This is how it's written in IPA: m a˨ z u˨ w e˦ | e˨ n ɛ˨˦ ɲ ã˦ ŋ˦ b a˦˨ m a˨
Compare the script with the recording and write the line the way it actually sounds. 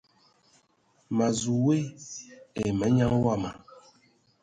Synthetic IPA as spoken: m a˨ z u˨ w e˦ | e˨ m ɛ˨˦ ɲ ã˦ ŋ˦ w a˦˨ m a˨